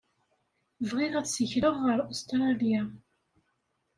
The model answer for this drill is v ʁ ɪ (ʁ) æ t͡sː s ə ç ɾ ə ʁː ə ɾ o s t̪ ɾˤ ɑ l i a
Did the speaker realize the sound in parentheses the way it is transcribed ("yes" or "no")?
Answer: no